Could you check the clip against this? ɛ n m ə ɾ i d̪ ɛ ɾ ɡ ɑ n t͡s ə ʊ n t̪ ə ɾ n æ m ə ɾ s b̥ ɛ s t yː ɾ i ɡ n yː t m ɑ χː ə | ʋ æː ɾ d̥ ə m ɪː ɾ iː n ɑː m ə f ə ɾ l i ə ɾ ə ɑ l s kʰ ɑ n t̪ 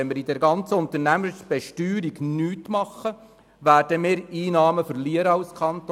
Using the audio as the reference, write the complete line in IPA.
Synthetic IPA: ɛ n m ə ɾ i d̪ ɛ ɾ ɡ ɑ n t͡s ə ʊ n t̪ ə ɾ n æ m ə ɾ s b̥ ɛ ʃ t yː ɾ i ɡ n yː t m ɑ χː ə | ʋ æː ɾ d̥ ə m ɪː ɾ iː n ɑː m ə f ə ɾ l i ə ɾ ə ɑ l s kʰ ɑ n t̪